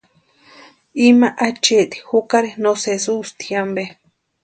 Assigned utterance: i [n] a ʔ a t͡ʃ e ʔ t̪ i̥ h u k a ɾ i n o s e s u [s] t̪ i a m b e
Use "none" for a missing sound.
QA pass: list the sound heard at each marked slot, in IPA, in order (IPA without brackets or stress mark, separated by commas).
m, s